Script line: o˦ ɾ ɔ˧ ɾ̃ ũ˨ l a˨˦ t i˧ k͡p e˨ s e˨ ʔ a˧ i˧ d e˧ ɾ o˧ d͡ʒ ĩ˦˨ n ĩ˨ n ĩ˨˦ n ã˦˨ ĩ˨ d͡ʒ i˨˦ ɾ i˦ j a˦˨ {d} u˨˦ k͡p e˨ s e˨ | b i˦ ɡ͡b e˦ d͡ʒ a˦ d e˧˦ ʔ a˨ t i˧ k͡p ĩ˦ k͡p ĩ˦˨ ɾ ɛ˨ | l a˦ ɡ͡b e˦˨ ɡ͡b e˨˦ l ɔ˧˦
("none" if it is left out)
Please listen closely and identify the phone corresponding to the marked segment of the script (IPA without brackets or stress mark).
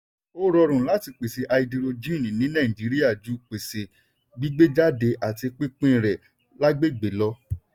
d͡ʒ